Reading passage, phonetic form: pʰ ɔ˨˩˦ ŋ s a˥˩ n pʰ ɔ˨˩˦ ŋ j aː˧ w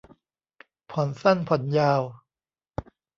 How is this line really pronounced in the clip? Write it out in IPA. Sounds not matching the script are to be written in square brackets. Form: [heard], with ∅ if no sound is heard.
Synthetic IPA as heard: pʰ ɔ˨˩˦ [n] s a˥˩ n pʰ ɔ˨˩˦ [n] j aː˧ w